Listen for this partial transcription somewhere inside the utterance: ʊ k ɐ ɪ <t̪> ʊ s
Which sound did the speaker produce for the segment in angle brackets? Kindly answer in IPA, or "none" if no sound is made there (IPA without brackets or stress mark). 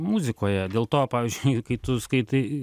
t̪